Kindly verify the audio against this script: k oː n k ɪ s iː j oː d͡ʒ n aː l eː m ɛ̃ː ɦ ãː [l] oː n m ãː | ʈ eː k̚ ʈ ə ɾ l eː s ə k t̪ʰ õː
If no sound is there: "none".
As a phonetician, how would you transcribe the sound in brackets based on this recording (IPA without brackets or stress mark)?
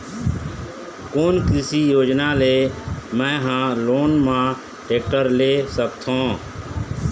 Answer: l